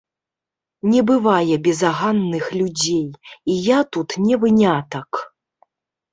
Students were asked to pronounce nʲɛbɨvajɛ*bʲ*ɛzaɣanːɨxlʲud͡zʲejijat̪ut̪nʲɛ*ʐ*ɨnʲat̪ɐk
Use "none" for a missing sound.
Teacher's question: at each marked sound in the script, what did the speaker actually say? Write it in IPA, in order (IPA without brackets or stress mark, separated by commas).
bʲ, v